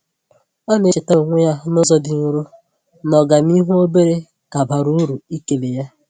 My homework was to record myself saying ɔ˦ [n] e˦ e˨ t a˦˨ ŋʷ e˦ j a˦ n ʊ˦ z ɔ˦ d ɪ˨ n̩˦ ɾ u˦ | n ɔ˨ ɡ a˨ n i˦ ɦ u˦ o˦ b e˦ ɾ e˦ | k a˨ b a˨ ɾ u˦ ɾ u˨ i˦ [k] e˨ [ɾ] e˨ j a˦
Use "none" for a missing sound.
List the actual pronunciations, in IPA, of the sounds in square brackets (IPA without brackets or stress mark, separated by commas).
n, k, l